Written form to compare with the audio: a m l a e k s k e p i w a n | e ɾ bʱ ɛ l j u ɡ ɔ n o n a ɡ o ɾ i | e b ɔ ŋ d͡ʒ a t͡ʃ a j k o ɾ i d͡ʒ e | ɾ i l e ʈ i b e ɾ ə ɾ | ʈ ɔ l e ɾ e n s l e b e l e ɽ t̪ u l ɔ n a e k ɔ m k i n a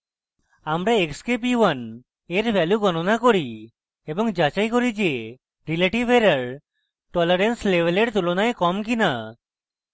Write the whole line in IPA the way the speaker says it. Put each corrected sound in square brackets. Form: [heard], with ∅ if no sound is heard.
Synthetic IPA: a m [ɾ] a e k s k e p i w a n | e ɾ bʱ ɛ l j u ɡ ɔ n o n a [k] o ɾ i | e b ɔ ŋ d͡ʒ a t͡ʃ a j k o ɾ i d͡ʒ e | ɾ i l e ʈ i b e ɾ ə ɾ | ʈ ɔ l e ɾ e n s l e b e l e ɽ t̪ u l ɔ n a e k ɔ m k i n a